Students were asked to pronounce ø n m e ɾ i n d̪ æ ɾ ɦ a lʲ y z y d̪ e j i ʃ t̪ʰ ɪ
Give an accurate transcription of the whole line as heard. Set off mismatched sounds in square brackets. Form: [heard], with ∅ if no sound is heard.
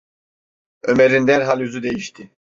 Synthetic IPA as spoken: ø [∅] m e ɾ i n d̪ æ ɾ ɦ a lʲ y z y d̪ e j i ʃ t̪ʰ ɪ